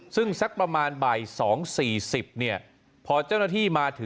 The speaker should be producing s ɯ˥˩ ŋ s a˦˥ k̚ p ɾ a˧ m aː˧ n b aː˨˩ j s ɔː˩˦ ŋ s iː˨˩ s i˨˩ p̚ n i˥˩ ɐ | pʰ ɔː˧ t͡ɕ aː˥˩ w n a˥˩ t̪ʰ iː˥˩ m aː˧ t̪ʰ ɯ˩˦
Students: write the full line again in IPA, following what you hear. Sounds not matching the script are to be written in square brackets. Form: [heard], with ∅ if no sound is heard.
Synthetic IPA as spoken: s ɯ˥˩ ŋ s a˦˥ k̚ p ɾ a˧ m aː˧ n b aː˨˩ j s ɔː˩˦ ŋ s iː˨˩ s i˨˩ p̚ n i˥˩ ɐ | pʰ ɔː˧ t͡ɕ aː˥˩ w n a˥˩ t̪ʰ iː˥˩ m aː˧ t̪ʰ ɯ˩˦